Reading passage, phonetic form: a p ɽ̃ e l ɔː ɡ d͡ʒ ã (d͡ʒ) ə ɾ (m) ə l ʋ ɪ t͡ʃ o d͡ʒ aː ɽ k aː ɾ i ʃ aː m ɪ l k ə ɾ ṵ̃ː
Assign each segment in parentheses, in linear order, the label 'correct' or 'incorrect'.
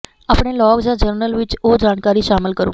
correct, incorrect

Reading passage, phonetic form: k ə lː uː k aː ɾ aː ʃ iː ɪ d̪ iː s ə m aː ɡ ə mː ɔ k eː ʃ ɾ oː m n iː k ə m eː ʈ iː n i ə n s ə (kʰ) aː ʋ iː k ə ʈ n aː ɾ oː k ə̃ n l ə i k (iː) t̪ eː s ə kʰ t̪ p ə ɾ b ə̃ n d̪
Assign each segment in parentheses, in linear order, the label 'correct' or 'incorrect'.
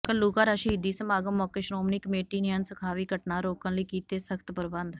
correct, correct

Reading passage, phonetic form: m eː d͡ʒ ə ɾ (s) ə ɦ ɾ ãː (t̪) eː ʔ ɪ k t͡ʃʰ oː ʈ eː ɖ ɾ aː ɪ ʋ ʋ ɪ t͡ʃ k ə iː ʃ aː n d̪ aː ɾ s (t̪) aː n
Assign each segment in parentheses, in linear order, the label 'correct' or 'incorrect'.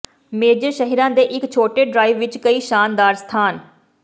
incorrect, incorrect, incorrect

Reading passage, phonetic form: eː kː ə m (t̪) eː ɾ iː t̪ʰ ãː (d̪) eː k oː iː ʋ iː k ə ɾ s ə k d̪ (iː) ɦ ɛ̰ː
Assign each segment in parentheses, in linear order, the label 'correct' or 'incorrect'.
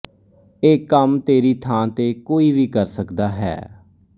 correct, incorrect, incorrect

